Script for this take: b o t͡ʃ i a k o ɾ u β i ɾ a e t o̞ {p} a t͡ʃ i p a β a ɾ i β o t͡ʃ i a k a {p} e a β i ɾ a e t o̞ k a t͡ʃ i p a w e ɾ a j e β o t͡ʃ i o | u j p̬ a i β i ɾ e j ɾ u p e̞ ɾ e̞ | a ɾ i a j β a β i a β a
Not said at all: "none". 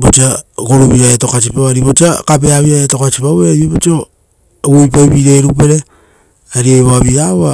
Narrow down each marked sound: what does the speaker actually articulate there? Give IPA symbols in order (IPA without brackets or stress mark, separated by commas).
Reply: k, p